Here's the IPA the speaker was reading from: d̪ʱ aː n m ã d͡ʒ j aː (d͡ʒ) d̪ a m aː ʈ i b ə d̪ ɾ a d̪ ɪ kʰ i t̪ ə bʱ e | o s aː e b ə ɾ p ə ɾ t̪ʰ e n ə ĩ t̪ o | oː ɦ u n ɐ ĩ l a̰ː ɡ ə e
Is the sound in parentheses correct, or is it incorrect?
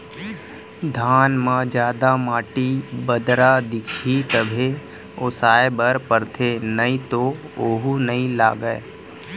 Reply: incorrect